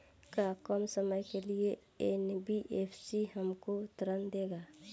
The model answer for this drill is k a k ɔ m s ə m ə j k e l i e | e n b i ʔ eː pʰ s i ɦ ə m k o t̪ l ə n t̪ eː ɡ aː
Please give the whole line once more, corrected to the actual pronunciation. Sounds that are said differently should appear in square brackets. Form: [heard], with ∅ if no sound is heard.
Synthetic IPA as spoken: k a k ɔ m s ə m ə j k e l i e | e n b i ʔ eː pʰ s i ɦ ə m k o t̪ [ɾ] ə n [d̪] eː ɡ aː